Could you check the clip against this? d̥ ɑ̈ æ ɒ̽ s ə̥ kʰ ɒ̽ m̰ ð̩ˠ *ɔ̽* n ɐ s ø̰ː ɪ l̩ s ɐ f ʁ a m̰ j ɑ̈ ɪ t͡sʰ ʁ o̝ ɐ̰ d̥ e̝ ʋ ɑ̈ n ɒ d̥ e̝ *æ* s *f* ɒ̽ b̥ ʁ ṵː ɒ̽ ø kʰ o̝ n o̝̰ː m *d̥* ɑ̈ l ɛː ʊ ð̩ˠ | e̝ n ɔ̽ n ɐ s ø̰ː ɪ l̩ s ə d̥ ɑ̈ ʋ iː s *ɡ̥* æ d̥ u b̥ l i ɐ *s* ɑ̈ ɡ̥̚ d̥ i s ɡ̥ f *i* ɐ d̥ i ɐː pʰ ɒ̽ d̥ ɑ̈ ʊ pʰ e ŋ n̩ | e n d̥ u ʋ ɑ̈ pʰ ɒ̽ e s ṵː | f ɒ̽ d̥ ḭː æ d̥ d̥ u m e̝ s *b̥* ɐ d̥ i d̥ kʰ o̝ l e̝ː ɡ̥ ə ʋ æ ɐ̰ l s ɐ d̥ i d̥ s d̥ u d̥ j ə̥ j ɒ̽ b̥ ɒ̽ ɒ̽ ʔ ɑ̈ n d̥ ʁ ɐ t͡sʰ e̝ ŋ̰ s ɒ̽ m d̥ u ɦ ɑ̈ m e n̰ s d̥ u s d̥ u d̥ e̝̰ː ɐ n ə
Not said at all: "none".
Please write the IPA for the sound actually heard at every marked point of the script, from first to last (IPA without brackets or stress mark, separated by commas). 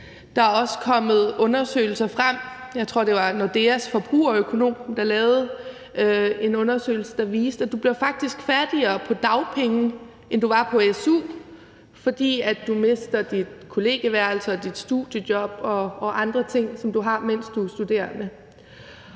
ɔ̽, æ, f, d̥, d̥, f, æ, d̥